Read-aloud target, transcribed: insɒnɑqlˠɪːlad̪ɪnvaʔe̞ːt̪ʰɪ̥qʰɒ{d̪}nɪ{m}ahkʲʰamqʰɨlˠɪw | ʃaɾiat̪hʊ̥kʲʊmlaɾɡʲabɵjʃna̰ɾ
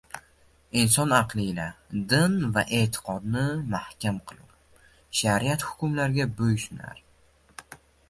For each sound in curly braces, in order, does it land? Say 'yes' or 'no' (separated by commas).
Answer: yes, yes